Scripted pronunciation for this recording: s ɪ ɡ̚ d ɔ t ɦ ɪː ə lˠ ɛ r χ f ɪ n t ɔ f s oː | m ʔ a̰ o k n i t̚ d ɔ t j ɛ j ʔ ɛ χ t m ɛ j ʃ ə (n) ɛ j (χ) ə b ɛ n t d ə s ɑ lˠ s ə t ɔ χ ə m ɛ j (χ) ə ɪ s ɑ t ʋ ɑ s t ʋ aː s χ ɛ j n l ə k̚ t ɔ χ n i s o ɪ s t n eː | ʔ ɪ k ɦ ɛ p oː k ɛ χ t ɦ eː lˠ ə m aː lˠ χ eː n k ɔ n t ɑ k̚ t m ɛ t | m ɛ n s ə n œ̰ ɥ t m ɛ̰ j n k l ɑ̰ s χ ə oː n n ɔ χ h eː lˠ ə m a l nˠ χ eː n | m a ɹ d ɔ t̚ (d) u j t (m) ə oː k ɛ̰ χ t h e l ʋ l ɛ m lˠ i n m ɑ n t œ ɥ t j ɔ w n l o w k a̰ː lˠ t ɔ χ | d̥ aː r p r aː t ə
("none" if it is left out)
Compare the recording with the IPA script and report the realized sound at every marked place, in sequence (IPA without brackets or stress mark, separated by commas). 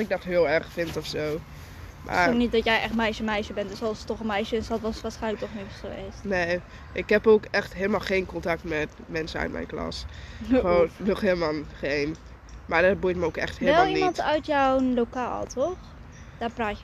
m, ʃ, ʃ, b, m